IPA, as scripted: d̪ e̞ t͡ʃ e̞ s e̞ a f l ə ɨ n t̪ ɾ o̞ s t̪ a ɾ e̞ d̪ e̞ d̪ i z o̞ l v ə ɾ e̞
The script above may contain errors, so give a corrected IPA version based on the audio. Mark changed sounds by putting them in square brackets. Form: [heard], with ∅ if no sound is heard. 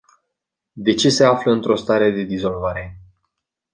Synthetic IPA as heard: d̪ e̞ t͡ʃ e̞ s e̞ a f l ə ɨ n t̪ ɾ o̞ s t̪ a ɾ e̞ d̪ e̞ d̪ i z o̞ l v [a] ɾ e̞

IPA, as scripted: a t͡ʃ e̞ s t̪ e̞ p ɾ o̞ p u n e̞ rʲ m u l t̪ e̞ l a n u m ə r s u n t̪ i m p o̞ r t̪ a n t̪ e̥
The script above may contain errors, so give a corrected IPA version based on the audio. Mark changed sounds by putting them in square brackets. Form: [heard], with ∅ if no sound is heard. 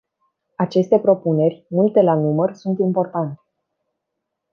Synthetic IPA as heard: a t͡ʃ e̞ s t̪ e̞ p ɾ o̞ p u n e̞ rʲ m u l t̪ e̞ l a n u m ə r s u n t̪ i m p o̞ r t̪ a n t̪ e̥

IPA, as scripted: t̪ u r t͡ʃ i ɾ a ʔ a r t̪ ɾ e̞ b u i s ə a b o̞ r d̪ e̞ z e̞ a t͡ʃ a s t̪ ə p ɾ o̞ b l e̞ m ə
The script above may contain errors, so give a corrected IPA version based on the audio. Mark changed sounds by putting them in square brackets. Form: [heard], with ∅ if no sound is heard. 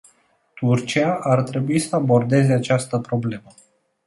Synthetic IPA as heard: t̪ u r t͡ʃ i [∅] a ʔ a r t̪ ɾ e̞ b u i s ə a b o̞ r d̪ e̞ z e̞ a t͡ʃ a s t̪ ə p ɾ o̞ b l e̞ m ə

